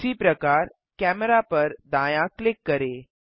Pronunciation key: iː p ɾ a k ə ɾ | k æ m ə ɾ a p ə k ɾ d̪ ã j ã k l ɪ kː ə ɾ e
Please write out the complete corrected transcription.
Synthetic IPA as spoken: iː p ɾ ə k a ɾ | k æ m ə ɾ a p ə ɾ d̪ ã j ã k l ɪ kː ə ɾ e